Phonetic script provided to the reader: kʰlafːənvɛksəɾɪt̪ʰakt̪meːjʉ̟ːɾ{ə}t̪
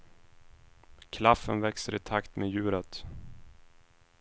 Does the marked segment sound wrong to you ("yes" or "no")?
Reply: no